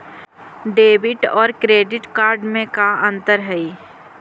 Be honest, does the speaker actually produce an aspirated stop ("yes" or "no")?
no